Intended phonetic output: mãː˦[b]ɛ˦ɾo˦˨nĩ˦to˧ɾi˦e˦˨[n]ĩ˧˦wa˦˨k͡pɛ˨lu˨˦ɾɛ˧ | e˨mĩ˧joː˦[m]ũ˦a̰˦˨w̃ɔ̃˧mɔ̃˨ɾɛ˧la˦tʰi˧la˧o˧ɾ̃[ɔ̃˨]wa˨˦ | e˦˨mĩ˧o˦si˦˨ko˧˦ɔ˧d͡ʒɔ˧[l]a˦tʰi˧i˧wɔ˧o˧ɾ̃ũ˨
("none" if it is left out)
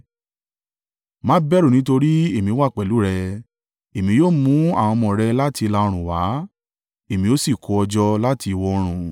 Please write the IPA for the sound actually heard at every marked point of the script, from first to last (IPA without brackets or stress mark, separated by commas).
b, m, m, ũ˨, l